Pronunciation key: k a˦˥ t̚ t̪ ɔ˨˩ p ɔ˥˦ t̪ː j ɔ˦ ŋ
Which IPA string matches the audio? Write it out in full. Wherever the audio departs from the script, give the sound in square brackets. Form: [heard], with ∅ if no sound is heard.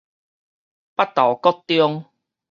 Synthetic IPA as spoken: [p] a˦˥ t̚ t̪ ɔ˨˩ [k] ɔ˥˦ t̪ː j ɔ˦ ŋ